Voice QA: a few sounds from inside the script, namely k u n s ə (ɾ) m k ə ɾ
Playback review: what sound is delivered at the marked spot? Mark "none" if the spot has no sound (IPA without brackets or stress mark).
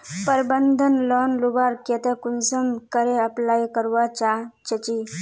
none